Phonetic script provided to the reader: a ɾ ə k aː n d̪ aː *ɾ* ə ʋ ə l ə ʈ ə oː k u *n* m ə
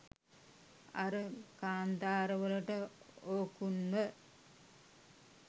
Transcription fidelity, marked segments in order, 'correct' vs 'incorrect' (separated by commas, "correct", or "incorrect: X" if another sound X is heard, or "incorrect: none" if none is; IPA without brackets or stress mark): correct, correct